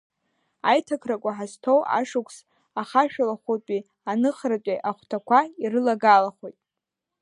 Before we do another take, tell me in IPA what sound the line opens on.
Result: a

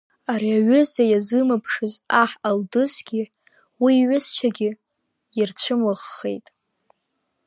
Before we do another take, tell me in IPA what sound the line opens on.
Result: a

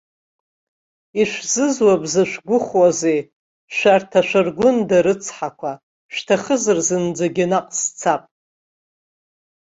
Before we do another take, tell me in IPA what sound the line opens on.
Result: i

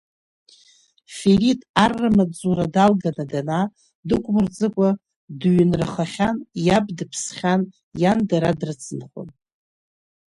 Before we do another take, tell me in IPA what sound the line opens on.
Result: f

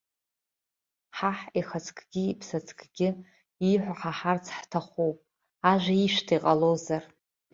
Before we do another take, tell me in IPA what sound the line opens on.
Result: ħ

